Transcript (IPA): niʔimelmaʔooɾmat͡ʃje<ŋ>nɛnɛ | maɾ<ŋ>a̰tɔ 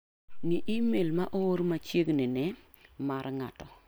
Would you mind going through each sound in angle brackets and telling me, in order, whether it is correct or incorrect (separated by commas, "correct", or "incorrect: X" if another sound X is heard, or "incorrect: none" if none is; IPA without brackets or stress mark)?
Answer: incorrect: ɡ, correct